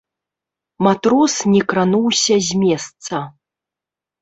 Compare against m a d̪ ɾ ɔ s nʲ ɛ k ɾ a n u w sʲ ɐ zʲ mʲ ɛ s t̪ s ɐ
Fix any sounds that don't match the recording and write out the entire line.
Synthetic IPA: m a t̪ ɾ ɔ s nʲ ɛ k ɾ a n u w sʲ ɐ zʲ mʲ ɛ s t̪ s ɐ